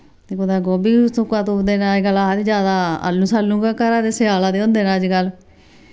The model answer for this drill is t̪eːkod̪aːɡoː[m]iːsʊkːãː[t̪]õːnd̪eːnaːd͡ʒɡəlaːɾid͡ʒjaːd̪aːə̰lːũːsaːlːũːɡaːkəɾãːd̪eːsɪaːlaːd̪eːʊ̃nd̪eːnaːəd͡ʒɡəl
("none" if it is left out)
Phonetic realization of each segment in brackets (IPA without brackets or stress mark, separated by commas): b, t̪